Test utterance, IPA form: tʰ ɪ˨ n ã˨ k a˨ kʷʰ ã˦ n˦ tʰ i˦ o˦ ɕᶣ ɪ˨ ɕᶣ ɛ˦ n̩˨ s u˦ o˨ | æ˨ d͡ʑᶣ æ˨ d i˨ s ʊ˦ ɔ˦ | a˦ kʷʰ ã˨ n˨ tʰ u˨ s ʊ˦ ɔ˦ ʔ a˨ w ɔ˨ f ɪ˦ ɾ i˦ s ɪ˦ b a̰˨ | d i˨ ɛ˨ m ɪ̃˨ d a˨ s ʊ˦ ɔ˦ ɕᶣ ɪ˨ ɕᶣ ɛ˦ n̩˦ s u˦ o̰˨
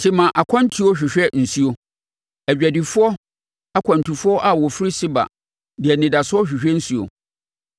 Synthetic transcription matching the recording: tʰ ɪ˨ m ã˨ ʔ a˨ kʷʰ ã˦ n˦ tʰ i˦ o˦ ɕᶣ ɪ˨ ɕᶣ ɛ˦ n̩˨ s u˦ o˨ | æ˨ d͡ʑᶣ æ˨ d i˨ f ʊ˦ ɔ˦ | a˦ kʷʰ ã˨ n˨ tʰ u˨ f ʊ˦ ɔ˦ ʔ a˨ w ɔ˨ f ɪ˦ ɾ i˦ s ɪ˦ b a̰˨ | d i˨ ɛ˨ n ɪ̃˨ d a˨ s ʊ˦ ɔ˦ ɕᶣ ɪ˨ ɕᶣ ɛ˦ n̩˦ s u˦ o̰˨